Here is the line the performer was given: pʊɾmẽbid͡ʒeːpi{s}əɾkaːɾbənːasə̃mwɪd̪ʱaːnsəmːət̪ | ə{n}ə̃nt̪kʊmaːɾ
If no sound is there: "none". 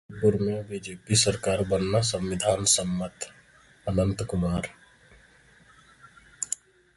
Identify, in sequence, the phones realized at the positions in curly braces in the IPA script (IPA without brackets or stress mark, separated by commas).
s, n